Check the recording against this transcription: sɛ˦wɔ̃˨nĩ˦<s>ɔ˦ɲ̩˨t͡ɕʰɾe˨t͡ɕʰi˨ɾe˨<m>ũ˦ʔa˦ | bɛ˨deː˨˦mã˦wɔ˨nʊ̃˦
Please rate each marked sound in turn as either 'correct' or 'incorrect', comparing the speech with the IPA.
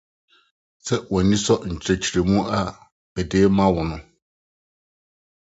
correct, correct

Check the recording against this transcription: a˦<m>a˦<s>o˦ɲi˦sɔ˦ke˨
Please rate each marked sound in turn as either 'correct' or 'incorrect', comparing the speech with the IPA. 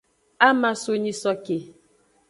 correct, correct

